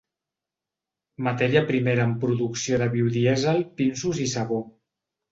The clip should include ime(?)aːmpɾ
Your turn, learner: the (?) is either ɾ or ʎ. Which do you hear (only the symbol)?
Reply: ɾ